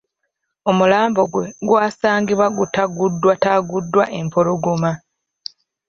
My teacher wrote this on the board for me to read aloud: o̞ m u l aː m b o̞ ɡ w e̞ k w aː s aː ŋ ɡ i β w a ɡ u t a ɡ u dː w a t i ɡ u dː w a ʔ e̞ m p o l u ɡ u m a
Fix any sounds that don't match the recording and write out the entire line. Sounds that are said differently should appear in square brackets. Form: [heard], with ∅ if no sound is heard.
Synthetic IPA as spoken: o̞ m u l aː m b o̞ ɡ w e̞ [ɡ] w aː s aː ŋ ɡ i β w a ɡ u t a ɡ u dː w a t [a] ɡ u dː w a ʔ e̞ m p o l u ɡ u m a